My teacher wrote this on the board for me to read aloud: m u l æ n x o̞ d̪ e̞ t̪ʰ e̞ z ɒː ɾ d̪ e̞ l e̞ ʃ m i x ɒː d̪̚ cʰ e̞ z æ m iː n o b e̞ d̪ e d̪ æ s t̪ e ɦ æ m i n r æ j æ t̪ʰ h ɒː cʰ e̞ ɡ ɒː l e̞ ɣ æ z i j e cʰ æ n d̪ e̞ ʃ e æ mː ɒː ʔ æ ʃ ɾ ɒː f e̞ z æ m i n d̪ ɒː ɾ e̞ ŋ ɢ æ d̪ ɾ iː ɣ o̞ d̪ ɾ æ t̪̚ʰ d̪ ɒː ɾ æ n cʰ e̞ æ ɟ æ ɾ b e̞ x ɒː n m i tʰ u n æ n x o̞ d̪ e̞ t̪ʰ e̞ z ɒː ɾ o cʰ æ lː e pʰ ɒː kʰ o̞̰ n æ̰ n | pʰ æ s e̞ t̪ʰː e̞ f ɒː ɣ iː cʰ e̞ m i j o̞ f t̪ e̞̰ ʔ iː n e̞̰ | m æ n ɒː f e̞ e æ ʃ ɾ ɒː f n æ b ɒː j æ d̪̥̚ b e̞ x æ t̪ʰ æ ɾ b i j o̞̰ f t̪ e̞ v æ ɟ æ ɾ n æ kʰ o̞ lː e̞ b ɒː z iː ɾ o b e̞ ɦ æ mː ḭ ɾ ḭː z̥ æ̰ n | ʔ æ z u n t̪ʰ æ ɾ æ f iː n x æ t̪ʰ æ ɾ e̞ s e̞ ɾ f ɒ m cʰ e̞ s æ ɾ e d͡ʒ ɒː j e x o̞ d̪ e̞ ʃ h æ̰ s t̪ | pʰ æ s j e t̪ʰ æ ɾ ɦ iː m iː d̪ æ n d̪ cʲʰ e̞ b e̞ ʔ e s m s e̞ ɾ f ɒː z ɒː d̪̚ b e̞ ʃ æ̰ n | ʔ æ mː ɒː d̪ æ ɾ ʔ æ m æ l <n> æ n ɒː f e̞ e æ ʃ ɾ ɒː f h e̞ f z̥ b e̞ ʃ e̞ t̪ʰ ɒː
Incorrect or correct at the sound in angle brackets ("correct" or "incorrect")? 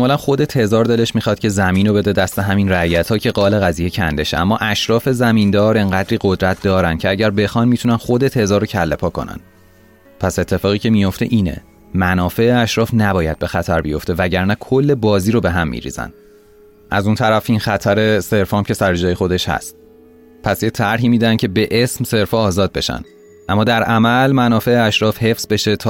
incorrect